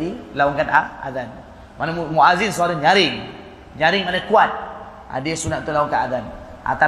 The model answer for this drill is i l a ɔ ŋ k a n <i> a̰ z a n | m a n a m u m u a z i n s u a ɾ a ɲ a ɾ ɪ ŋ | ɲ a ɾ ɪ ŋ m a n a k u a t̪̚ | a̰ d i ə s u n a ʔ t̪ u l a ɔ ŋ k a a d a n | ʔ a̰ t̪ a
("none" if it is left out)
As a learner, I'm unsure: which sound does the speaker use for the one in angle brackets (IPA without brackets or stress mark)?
a